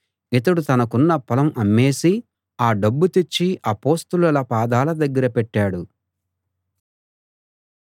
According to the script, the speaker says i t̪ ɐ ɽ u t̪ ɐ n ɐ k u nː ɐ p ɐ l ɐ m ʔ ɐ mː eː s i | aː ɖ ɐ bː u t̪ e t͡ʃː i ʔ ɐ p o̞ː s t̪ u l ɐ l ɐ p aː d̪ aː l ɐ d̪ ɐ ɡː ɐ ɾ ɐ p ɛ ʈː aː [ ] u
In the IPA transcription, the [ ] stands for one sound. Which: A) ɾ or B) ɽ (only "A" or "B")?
B